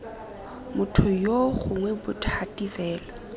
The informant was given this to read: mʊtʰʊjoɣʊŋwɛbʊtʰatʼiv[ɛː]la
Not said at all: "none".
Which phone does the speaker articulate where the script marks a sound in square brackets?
ɛː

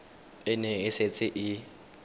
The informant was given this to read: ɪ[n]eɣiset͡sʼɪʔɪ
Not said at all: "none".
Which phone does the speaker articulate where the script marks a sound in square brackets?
n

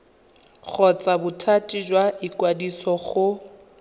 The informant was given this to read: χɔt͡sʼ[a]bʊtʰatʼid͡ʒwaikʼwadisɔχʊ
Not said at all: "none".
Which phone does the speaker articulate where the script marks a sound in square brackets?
a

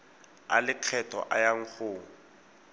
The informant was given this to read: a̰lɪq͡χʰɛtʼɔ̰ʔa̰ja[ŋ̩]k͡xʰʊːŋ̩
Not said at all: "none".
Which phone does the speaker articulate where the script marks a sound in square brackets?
ŋ̩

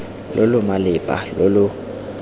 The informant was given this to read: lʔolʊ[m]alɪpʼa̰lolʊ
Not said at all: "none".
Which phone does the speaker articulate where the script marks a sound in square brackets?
m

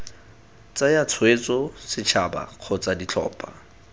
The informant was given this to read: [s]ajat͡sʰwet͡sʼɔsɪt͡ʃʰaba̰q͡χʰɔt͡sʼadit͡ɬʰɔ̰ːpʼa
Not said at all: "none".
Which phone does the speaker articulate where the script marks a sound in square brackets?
t͡s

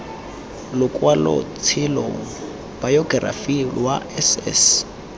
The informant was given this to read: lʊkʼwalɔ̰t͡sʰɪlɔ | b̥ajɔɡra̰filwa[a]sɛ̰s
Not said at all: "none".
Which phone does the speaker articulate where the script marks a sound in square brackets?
ɛ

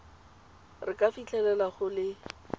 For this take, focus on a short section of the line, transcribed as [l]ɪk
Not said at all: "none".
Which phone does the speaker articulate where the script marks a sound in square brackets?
r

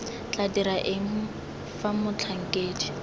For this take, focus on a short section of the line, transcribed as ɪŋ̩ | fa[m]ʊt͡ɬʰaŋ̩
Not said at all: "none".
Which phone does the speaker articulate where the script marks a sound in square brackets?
m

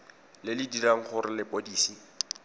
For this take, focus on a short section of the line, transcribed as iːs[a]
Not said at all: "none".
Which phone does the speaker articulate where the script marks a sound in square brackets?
i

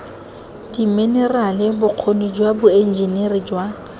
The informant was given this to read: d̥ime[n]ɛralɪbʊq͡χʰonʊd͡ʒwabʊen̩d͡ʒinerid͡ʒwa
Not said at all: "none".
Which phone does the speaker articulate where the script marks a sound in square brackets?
n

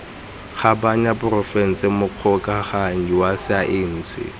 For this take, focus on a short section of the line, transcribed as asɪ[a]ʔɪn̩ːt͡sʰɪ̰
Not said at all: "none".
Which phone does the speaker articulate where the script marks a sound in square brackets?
a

